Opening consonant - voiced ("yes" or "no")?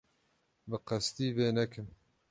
yes